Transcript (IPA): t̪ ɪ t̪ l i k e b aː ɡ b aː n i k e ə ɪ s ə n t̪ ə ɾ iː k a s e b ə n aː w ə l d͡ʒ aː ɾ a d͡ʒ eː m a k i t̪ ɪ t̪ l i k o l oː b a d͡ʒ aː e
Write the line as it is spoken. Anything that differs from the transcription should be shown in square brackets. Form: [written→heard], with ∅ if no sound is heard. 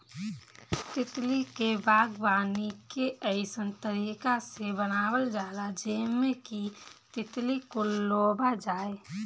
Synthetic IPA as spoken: t̪ ɪ t̪ l i k e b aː ɡ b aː n i k e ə ɪ s ə n t̪ ə ɾ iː k a s e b ə n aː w ə l d͡ʒ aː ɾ a d͡ʒ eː m [a→e] k i t̪ ɪ t̪ l i k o l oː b a d͡ʒ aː e